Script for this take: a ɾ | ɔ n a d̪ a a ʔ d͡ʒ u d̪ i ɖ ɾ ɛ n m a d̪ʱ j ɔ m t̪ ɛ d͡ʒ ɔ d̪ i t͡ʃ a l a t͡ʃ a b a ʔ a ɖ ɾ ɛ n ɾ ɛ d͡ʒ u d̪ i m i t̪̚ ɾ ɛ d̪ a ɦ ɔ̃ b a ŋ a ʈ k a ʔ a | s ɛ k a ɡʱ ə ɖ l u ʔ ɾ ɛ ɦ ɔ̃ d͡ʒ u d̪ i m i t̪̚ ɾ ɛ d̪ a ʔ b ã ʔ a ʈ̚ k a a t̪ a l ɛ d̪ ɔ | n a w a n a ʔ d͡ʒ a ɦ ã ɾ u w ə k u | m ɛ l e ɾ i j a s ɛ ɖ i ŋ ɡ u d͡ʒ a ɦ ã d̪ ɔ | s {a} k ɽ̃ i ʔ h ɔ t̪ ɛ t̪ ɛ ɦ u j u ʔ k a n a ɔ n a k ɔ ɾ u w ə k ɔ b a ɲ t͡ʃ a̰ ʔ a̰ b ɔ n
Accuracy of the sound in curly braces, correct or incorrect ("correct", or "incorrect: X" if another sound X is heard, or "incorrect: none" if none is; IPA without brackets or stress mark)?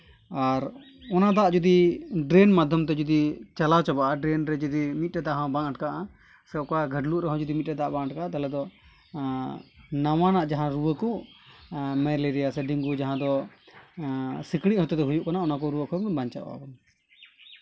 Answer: incorrect: i